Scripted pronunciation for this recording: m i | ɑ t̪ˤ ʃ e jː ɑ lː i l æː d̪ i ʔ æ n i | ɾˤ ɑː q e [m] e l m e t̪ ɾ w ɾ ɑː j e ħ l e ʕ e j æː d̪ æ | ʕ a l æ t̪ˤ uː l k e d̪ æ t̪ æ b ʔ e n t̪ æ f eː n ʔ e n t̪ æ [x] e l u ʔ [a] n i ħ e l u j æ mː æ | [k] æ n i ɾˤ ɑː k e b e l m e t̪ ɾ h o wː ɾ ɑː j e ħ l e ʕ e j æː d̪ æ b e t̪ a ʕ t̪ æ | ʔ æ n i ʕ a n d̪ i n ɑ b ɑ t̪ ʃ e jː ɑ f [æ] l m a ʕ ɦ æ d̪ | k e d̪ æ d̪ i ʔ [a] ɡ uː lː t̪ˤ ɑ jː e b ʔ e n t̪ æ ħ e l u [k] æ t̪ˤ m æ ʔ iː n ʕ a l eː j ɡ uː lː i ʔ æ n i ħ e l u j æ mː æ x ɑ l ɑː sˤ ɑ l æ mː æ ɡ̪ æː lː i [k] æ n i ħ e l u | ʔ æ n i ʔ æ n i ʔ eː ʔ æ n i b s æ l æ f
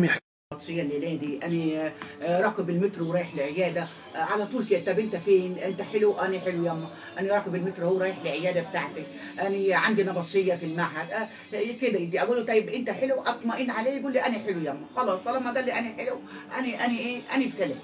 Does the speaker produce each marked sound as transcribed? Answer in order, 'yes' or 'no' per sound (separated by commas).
no, no, no, no, no, no, no, no